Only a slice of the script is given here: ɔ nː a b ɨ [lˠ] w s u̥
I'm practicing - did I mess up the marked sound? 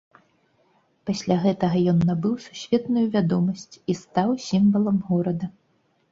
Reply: yes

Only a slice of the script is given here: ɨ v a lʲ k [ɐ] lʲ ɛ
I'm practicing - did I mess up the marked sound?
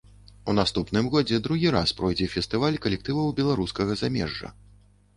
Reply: no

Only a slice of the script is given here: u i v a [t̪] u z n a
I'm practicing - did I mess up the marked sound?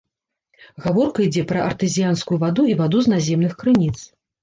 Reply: yes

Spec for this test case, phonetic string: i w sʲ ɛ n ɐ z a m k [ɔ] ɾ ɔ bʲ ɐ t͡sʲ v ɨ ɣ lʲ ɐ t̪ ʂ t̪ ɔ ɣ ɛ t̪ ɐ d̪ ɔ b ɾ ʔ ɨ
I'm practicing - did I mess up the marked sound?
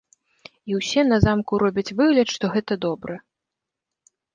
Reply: yes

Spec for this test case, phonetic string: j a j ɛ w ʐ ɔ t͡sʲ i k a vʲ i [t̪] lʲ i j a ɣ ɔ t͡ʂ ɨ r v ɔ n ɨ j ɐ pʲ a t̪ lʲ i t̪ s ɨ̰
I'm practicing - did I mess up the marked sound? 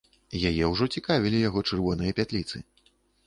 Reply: yes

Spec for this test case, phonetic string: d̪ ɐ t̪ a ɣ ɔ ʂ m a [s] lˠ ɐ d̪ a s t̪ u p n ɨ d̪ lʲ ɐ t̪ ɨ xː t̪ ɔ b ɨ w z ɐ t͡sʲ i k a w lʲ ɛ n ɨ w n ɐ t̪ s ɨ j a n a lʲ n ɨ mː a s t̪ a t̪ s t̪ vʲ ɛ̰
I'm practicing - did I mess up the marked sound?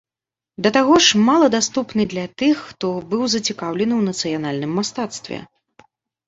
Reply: yes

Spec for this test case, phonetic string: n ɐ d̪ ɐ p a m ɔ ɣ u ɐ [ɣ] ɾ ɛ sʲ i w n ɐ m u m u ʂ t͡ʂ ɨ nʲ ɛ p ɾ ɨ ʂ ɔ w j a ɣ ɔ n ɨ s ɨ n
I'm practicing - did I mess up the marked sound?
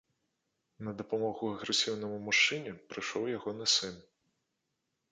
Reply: no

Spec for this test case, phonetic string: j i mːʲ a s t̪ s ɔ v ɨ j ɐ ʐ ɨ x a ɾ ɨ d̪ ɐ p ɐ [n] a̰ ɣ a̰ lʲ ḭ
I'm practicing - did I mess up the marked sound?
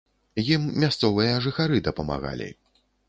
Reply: yes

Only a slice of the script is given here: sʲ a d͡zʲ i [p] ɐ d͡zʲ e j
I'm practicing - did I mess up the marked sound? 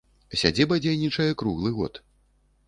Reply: yes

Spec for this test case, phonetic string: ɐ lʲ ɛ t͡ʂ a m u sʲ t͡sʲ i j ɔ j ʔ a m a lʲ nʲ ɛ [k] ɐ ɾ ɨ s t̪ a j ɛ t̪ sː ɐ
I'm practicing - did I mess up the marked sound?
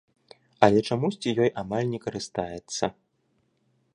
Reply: no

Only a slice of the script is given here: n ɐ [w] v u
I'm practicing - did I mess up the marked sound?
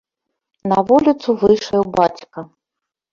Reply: yes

